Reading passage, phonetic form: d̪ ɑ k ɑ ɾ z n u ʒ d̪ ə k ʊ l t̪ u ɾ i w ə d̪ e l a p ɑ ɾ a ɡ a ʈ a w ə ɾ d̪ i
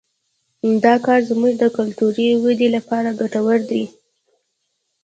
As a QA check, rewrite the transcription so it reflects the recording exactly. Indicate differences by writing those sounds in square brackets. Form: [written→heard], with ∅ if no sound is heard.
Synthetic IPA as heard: d̪ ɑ k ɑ ɾ z [n→m] u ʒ d̪ ə k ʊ l t̪ u ɾ i w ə d̪ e l a p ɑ ɾ a ɡ a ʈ a w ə ɾ d̪ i